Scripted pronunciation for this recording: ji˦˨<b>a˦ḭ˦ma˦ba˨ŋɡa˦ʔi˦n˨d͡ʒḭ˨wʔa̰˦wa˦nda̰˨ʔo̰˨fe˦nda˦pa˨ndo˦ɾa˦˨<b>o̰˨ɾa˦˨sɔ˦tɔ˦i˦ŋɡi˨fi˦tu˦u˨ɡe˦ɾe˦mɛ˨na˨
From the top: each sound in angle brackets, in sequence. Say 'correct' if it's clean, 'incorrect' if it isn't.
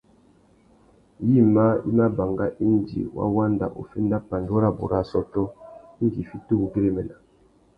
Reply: incorrect, correct

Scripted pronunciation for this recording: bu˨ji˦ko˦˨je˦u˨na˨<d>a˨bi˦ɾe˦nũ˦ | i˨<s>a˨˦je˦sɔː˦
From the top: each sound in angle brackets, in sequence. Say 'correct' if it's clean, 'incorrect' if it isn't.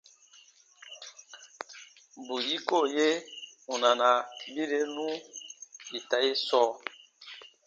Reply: incorrect, incorrect

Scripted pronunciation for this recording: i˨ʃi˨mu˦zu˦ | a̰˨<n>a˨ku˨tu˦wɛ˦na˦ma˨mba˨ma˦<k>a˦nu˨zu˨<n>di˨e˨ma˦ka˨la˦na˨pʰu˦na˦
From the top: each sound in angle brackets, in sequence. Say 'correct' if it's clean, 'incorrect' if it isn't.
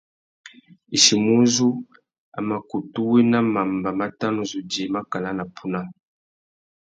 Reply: incorrect, incorrect, incorrect

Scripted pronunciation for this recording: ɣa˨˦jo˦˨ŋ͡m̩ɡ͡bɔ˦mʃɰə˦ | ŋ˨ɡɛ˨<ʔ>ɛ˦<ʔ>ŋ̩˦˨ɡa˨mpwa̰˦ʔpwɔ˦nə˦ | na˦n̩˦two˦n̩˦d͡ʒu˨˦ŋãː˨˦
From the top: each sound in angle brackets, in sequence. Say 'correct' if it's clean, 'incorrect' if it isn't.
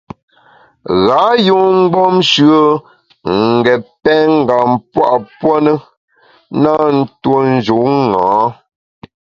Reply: incorrect, incorrect

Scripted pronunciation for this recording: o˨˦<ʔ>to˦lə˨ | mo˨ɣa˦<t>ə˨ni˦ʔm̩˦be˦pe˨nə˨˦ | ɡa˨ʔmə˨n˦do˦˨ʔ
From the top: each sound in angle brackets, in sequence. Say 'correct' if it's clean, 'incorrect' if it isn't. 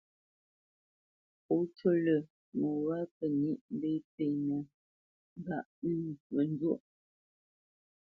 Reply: incorrect, incorrect

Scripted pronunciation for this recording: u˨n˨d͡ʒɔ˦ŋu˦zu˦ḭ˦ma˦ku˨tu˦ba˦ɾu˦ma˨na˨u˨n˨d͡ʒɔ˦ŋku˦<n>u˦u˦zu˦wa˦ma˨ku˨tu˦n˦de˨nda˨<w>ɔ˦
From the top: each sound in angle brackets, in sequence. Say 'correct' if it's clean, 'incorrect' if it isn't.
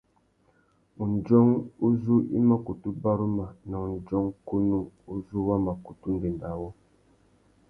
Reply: correct, correct

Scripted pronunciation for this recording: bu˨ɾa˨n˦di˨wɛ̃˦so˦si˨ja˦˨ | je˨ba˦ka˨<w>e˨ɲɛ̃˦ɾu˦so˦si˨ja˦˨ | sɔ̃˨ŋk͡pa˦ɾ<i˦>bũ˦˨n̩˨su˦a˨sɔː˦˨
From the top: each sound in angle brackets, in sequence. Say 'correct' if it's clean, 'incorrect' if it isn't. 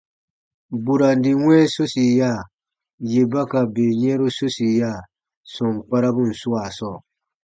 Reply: incorrect, incorrect

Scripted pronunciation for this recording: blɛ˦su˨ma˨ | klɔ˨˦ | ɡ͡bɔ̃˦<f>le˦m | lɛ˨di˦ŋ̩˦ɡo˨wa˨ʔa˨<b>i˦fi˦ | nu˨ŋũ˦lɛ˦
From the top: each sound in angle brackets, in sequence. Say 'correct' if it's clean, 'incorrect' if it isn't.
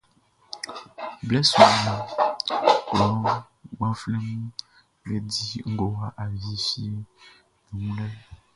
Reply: correct, incorrect

